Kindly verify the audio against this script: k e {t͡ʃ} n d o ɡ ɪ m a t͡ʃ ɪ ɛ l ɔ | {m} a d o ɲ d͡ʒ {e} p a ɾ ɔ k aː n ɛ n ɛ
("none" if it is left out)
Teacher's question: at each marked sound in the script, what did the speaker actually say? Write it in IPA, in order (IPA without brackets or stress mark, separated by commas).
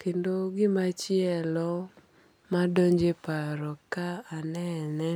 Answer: none, m, e